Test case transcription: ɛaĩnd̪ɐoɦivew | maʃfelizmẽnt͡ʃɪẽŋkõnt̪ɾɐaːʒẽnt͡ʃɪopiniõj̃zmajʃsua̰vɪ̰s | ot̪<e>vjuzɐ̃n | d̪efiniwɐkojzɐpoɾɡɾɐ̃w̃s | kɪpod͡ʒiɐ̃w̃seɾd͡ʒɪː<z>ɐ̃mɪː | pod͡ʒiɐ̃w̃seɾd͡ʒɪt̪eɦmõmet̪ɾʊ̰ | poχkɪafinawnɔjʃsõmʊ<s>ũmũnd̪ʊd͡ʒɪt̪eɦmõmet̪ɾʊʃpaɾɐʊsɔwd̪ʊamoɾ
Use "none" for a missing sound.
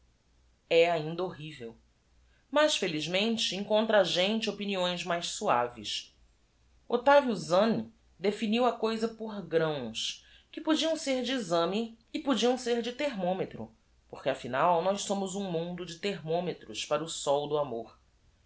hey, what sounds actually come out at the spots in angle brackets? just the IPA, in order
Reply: a, z, z

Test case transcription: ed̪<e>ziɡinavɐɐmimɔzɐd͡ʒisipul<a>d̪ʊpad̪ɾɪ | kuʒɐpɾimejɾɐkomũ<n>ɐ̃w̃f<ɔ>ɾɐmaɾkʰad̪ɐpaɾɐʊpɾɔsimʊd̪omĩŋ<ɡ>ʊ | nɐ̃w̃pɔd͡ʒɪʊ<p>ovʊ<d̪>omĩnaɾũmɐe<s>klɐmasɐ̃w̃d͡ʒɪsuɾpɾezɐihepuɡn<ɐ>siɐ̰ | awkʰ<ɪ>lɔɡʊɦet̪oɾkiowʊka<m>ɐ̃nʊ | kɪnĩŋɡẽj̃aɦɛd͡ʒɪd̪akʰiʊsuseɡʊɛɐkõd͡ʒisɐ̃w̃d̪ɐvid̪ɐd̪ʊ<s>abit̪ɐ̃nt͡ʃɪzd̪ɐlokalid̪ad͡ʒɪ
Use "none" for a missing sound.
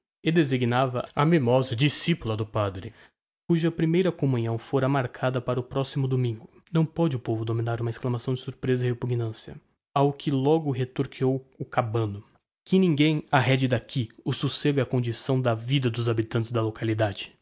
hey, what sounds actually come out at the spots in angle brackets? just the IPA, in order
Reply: e, ɐ, ɲ, o, ɡ, p, d̪, s, ɐ̃, ɪ, b, z

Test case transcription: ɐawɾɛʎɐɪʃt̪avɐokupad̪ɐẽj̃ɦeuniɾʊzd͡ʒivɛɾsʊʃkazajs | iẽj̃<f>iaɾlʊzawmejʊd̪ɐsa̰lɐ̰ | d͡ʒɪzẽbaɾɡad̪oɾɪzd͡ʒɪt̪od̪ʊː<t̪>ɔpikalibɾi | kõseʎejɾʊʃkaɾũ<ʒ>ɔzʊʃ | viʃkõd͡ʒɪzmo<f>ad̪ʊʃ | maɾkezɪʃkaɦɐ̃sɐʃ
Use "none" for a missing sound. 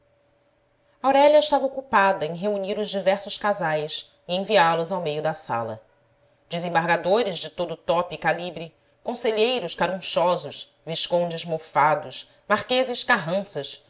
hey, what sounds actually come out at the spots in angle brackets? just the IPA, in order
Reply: v, t̪, ʃ, f

